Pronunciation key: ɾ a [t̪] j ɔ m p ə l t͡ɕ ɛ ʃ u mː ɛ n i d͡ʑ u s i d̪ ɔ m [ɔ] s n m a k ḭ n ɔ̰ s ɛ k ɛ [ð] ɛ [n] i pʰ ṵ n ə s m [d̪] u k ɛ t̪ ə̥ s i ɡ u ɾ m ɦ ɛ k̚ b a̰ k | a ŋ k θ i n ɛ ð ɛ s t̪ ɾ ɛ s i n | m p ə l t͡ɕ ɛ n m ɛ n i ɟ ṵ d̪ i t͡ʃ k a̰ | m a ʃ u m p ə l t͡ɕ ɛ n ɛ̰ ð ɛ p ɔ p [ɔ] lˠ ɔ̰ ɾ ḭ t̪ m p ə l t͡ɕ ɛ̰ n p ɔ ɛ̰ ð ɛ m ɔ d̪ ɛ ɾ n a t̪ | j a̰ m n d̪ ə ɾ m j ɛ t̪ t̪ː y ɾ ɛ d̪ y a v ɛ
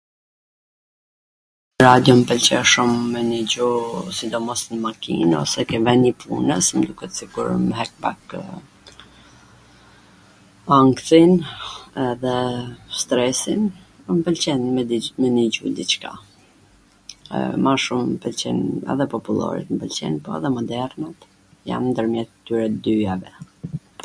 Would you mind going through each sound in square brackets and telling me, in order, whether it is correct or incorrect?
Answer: incorrect, correct, incorrect, correct, correct, incorrect

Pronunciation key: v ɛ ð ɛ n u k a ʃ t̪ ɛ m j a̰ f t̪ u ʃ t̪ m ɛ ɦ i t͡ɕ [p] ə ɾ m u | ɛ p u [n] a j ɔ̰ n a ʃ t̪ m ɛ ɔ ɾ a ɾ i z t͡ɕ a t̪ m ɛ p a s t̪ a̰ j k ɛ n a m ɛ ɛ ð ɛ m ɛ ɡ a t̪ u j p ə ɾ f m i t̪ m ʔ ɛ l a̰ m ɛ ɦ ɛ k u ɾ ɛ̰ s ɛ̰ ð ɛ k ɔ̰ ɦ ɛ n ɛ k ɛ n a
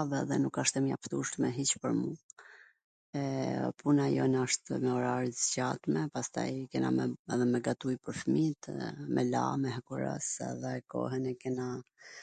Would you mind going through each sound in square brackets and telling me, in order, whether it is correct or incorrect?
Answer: correct, correct

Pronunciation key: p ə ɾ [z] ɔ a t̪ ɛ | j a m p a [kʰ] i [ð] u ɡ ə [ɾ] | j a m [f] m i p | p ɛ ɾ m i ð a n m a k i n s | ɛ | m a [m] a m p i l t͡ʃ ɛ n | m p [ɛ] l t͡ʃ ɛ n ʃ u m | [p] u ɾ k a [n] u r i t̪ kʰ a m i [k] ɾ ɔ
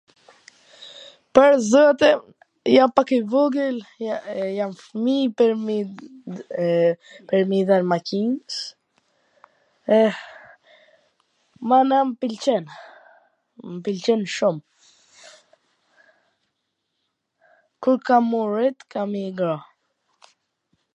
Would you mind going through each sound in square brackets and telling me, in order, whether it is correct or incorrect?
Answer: correct, incorrect, incorrect, incorrect, correct, incorrect, incorrect, incorrect, incorrect, incorrect

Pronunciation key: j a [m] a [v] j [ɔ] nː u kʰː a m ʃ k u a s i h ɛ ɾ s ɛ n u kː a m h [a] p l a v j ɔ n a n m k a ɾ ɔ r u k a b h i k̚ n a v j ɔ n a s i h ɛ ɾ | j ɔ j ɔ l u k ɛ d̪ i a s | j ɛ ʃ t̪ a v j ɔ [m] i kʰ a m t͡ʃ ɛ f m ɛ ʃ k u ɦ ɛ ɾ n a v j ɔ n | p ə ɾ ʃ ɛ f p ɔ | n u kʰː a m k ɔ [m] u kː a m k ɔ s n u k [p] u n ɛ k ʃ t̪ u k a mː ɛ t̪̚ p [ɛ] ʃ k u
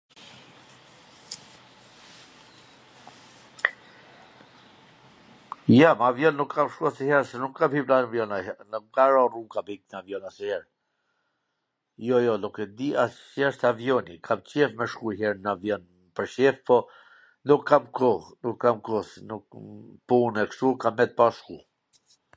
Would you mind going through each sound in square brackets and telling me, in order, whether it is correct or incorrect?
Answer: correct, correct, correct, incorrect, incorrect, incorrect, correct, incorrect

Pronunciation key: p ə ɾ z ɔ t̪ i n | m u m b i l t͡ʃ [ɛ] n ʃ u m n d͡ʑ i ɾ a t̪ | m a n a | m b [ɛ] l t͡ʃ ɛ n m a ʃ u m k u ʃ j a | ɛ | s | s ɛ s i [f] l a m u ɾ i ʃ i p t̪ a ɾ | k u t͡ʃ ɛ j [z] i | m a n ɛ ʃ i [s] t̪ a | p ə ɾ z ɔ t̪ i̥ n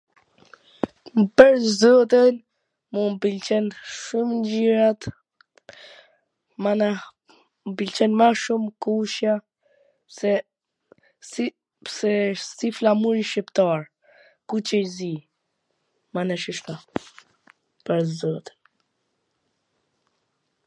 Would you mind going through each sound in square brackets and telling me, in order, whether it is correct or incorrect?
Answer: correct, incorrect, correct, correct, incorrect

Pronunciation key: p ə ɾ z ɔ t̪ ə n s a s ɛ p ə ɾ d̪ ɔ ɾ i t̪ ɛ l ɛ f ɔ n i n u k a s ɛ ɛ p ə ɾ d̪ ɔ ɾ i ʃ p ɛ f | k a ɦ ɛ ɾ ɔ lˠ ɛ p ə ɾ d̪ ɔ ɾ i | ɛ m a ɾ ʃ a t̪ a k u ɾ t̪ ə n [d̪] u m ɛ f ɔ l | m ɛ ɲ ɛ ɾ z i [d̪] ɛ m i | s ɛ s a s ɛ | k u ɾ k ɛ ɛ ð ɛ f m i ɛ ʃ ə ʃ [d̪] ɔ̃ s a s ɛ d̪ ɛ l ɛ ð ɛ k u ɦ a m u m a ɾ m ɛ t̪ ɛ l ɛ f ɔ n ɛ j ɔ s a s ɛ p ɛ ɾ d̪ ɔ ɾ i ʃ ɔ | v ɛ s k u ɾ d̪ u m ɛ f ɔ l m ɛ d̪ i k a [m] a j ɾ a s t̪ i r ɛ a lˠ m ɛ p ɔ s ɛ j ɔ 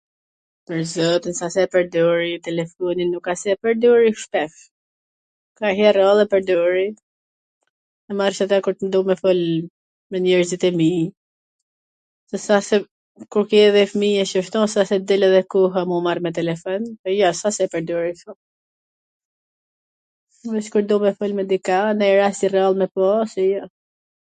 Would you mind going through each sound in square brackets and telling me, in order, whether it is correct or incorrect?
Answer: correct, incorrect, incorrect, incorrect

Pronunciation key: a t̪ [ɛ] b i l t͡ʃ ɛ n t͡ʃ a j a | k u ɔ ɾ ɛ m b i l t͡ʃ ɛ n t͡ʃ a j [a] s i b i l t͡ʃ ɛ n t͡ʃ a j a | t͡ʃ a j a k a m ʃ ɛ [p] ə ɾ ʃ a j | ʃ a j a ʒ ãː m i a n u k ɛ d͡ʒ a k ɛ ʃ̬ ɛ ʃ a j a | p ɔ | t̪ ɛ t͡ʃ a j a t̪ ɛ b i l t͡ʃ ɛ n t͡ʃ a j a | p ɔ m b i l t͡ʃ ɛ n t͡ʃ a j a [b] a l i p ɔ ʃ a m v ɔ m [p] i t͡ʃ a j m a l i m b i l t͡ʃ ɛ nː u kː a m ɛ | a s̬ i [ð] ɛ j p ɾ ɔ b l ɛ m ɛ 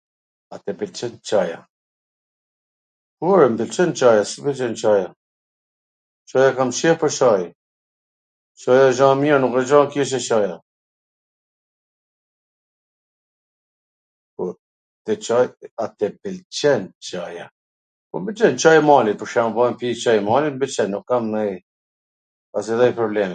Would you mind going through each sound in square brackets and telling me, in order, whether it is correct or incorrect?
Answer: correct, correct, correct, incorrect, correct, correct

